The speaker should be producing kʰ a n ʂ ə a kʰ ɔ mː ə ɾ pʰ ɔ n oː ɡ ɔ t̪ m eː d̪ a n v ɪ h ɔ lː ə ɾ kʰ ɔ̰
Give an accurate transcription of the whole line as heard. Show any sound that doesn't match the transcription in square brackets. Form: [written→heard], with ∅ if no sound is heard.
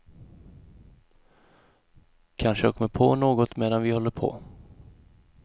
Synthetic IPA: kʰ a n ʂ ə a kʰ ɔ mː ə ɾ pʰ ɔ n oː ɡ ɔ t̪ m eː d̪ a n v ɪ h ɔ lː ə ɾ [kʰ→pʰ] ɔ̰